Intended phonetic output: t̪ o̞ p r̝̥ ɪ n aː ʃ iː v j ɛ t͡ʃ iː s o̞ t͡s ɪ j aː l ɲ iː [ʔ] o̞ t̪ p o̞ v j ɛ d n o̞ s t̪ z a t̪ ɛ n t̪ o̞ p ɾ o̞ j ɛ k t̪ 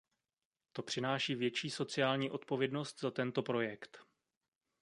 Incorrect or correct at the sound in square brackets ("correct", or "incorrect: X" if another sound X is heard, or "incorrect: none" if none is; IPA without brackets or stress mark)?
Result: correct